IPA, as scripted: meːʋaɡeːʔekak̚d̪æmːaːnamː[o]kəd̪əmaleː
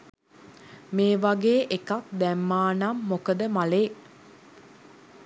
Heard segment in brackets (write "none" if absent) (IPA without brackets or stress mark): o